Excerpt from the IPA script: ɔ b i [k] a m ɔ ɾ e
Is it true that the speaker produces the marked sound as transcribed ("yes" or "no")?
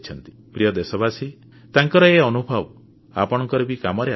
yes